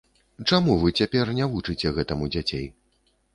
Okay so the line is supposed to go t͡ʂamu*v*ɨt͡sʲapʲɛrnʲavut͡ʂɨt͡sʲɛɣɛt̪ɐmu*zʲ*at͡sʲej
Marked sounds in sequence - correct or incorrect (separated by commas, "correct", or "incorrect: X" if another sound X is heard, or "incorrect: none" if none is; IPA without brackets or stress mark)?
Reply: correct, incorrect: d͡zʲ